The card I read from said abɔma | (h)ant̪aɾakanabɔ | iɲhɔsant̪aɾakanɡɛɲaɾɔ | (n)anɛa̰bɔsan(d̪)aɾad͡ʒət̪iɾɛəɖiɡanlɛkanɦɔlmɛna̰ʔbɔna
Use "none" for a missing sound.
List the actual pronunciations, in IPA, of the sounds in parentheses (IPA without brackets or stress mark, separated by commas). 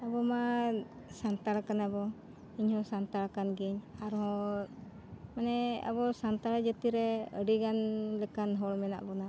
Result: s, m, t̪